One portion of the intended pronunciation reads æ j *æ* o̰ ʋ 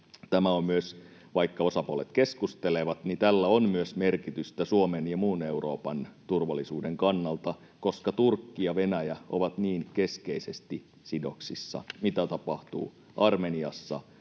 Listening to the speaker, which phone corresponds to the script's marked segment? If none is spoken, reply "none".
æ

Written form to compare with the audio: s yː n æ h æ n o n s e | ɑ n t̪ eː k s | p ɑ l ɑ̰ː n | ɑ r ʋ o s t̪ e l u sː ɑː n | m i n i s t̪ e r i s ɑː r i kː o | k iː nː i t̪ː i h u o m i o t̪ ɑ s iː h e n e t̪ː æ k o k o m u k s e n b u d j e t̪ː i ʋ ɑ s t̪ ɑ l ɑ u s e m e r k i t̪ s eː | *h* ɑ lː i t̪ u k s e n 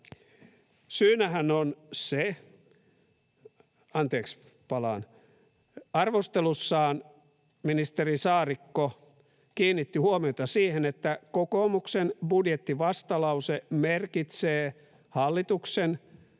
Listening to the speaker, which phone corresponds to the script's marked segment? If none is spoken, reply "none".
h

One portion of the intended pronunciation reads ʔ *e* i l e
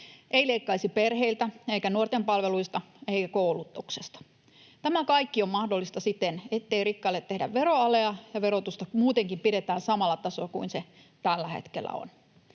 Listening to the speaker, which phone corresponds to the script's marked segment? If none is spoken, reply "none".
e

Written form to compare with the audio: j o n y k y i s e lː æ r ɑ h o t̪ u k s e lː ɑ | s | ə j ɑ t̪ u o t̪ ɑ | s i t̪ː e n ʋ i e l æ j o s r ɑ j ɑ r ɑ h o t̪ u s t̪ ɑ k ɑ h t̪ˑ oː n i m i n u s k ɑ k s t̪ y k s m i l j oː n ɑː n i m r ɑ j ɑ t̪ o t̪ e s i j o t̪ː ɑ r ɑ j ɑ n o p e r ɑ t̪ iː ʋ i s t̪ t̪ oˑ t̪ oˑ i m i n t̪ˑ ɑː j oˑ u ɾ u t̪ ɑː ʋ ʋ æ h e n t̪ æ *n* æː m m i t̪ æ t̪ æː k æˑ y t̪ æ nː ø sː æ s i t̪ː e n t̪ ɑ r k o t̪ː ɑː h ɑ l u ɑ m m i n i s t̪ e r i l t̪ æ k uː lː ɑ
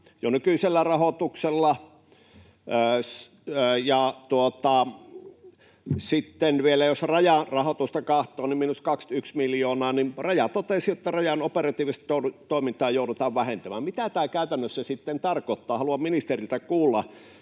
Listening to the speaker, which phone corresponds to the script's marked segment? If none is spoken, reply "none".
m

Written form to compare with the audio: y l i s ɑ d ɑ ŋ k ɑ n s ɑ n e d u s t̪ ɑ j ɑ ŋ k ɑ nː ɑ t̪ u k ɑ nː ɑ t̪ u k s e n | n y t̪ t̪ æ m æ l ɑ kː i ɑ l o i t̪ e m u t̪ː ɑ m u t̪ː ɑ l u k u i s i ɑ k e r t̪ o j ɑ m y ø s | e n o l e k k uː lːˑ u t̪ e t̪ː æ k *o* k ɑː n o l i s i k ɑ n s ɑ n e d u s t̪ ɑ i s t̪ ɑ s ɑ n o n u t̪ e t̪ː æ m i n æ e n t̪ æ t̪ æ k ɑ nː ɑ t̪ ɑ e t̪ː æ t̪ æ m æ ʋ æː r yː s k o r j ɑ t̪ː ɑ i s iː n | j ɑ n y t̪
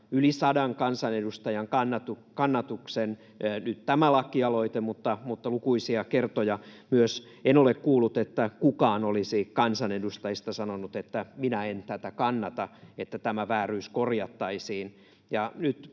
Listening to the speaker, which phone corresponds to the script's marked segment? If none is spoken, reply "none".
u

